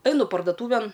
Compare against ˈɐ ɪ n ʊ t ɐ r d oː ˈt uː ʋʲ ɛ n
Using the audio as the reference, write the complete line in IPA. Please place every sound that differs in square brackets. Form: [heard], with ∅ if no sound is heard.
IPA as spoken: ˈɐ ɪ n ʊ [p] ɐ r d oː ˈt uː ʋʲ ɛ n